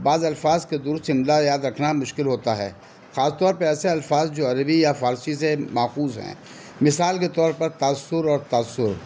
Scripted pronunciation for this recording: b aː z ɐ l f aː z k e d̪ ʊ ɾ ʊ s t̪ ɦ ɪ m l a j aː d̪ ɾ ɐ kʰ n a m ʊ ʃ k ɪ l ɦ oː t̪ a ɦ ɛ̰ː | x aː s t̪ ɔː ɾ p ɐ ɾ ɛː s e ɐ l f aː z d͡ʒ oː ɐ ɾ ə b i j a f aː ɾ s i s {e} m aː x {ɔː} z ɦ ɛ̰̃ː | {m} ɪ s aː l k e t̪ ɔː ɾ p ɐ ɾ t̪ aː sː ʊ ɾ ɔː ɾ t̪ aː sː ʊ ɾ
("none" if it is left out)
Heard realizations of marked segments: e, uː, m

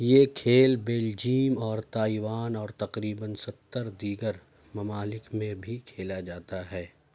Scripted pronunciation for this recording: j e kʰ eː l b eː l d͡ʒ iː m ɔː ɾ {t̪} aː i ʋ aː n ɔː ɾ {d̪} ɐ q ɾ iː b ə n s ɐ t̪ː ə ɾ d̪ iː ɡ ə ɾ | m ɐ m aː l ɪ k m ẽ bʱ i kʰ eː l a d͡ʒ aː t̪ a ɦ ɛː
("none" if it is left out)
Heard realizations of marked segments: t̪, t̪

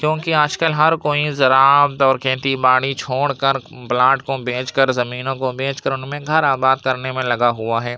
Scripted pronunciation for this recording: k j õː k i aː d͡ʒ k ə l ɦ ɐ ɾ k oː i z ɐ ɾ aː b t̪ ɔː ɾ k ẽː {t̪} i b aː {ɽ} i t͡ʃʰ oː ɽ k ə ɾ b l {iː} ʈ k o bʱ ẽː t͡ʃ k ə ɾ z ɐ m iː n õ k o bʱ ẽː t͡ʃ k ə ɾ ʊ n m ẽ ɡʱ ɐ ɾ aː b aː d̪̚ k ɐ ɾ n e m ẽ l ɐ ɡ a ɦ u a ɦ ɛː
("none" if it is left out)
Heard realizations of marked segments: t̪, ɽ, aː

